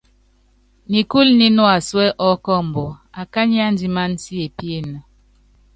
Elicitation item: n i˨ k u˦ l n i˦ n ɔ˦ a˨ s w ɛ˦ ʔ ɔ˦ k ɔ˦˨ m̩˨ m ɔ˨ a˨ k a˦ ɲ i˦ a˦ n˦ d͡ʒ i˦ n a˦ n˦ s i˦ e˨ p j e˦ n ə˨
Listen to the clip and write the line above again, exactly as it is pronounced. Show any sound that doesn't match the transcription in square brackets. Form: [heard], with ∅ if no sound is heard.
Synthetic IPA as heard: n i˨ k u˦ l n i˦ n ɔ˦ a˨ s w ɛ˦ ʔ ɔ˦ k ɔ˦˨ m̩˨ [b] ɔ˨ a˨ k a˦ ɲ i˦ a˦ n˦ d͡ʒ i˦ [m] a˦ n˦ s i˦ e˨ p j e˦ n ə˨